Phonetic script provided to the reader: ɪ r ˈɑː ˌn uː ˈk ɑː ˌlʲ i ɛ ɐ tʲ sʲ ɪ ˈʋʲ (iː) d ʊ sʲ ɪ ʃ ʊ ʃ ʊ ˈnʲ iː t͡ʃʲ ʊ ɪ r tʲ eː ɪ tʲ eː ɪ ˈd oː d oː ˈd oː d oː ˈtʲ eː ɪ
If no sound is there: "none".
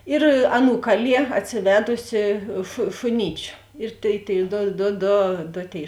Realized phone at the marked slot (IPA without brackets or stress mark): æː